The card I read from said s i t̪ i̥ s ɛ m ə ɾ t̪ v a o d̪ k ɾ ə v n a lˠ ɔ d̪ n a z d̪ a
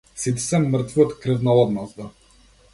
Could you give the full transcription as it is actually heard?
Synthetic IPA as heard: s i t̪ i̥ s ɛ m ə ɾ t̪ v i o t̪ k ɾ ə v n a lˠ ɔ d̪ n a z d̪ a